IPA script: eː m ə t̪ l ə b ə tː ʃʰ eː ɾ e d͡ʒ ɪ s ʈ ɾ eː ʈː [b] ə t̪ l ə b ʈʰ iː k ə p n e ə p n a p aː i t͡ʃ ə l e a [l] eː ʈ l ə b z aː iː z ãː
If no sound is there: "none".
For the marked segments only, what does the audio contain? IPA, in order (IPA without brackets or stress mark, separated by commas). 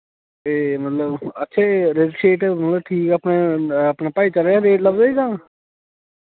m, ɾ